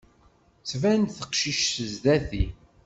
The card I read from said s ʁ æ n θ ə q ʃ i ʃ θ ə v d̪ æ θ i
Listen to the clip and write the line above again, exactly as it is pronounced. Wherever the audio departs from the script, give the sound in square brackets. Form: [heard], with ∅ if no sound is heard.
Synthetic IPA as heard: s [v] æ n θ ə q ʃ i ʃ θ ə [z] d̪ æ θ i